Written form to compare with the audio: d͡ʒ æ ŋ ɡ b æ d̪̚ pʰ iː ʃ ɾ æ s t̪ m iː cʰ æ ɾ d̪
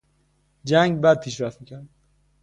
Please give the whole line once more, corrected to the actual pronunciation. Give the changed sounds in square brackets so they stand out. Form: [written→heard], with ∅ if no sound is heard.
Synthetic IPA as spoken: d͡ʒ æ ŋ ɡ b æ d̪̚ pʰ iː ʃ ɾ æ [s→f] t̪ m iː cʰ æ ɾ d̪